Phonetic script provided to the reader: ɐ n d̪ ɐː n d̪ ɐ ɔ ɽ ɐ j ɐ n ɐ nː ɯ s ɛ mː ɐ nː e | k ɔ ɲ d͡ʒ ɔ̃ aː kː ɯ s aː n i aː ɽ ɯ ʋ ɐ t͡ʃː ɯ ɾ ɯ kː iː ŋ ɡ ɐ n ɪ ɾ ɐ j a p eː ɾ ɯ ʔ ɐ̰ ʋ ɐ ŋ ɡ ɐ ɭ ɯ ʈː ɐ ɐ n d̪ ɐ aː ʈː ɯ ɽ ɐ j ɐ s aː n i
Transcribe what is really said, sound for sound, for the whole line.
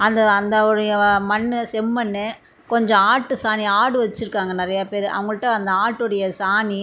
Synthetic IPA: ɐ n d̪ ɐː n d̪ ɐ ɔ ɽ ɐ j ɐ m ɐ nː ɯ s ɛ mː ɐ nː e | k ɔ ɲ d͡ʒ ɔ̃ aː ʈː ɯ s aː n i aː ɽ ɯ ʋ ɐ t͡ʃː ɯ ɾ ɯ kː aː ŋ ɡ ɐ n ɪ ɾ ɐ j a p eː ɾ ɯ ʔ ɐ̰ ʋ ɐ ŋ ɡ ɐ ɭ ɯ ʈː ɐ ɐ n d̪ ɐ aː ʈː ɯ ɽ ɐ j ɐ s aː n i